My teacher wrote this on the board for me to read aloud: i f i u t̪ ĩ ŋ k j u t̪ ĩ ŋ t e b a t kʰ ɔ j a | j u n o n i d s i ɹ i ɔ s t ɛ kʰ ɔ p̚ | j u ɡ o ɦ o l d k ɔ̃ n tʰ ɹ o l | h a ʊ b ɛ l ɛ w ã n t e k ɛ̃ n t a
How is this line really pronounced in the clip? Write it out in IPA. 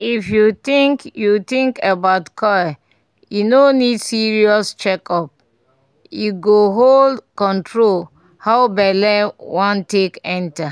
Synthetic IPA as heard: i f j u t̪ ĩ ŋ k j u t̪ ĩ ŋ k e b a t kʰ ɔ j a | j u n o n i d s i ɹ i ɔ s t͡ʃ ɛ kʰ ɔ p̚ | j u ɡ o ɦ o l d k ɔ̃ n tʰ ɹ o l | h a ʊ b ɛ l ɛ w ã n t e k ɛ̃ n t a